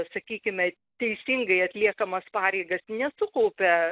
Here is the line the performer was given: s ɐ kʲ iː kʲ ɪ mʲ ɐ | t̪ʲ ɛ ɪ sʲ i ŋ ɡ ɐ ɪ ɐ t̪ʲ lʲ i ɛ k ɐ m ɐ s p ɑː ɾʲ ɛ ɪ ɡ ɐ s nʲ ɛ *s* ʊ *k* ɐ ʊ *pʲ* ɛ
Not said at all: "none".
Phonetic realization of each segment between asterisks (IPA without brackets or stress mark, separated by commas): s, k, pʲ